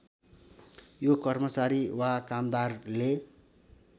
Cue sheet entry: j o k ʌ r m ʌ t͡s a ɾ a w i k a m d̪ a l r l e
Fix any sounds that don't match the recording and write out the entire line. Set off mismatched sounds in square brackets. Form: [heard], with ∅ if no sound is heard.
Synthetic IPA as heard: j o k ʌ r m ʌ t͡s a ɾ [i] w [a] k a m d̪ a [∅] r l e